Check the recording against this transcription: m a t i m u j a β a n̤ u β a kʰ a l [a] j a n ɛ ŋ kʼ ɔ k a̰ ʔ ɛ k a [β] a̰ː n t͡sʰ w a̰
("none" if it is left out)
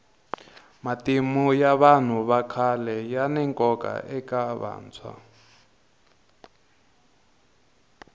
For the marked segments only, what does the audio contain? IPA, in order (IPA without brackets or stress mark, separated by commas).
ɛ, β